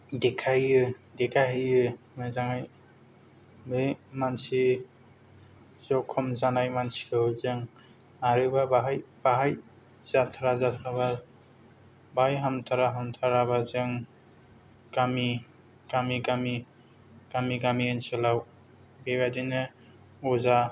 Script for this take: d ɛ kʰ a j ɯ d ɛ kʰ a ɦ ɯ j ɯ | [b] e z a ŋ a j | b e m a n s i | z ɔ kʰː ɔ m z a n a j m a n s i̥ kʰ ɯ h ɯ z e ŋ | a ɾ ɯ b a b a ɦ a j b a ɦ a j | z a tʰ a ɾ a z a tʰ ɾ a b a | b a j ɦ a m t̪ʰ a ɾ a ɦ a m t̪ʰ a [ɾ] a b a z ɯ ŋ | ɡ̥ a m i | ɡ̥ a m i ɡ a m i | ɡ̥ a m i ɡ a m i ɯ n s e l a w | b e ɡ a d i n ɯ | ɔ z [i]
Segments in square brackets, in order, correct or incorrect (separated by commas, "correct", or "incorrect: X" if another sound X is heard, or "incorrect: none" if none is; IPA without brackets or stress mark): incorrect: m, correct, incorrect: a